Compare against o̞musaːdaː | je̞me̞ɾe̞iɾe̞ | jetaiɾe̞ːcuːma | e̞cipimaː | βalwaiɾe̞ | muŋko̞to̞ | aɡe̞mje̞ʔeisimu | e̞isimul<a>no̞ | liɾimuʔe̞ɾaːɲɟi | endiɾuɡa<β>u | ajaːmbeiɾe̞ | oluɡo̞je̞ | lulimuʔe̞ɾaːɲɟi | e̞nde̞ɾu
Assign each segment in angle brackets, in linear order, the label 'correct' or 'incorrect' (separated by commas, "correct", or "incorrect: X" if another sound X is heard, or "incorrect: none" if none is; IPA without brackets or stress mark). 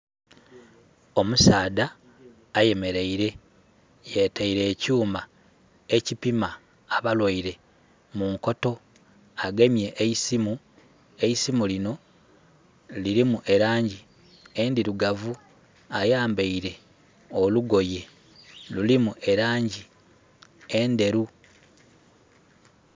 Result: incorrect: i, incorrect: v